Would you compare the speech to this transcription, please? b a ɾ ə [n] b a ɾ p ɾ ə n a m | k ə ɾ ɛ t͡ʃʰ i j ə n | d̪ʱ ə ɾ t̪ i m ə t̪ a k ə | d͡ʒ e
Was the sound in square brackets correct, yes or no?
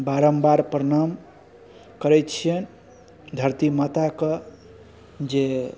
no